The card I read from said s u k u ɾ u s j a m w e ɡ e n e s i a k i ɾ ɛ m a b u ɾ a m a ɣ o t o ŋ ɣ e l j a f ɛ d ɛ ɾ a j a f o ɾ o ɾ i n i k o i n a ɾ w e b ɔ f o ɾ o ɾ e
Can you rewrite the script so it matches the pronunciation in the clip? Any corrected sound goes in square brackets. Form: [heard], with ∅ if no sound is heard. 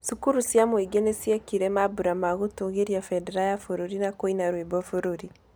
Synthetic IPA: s u k u ɾ u s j a m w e ɡ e n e s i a k i ɾ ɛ m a b u ɾ a m a ɣ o t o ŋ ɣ e [ɾ] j a f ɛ d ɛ ɾ a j a f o ɾ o ɾ i n [a] k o i n a ɾ w e b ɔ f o ɾ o ɾ [i]